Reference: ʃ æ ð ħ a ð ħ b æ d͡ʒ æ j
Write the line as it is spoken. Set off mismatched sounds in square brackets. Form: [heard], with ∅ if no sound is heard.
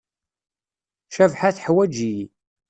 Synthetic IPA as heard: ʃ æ [v] ħ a [θ] ħ [w] æ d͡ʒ [i] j